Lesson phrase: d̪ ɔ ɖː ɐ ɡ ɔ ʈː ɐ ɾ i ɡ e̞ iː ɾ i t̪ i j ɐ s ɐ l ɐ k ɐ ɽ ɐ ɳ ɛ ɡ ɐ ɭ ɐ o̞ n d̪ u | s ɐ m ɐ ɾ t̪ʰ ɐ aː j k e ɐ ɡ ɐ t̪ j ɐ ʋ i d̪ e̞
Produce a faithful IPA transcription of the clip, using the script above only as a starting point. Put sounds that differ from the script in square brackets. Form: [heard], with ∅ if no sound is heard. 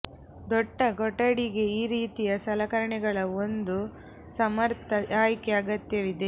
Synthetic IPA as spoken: d̪ ɔ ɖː ɐ ɡ ɔ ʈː ɐ [ɽ] i ɡ e̞ iː ɾ [iː] t̪ i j ɐ s ɐ l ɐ k ɐ [ɾ] ɐ ɳ ɛ ɡ ɐ ɭ ɐ o̞ n d̪ u | s ɐ m ɐ ɾ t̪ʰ ɐ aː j k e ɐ ɡ ɐ t̪ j ɐ ʋ i d̪ e̞